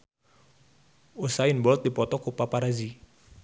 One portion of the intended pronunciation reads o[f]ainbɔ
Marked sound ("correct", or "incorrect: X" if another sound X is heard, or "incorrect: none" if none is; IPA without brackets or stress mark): incorrect: s